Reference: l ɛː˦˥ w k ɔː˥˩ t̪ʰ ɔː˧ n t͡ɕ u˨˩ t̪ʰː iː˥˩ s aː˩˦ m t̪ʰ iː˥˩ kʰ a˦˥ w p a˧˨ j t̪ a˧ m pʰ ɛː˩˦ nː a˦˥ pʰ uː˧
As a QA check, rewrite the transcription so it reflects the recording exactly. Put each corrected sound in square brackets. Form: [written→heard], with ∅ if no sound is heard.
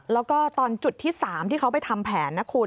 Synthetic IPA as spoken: l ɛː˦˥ w k ɔː˥˩ [t̪ʰ→t̪] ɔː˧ n t͡ɕ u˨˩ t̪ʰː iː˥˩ s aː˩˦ m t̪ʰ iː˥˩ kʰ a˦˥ w p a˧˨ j [t̪→t̪ʰ] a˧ m pʰ ɛː˩˦ nː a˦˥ [pʰ→kʰ] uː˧